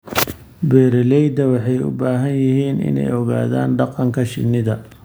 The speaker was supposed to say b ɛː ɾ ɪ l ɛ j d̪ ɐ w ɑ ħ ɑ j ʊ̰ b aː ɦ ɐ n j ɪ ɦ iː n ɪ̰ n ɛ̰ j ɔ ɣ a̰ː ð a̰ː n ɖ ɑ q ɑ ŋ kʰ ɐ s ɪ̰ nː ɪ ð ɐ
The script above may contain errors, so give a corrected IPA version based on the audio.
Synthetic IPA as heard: b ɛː ɾ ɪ l ɛ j d̪ ɐ w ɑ ħ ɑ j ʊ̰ b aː ɦ ɐ n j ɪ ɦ iː n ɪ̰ n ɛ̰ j ɔ ɣ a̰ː ð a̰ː n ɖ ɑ q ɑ ŋ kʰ ɐ ʃ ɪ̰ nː ɪ ð ɐ